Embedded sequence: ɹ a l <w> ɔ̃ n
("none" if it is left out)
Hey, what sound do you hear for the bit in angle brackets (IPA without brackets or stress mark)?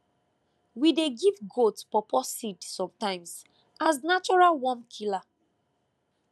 w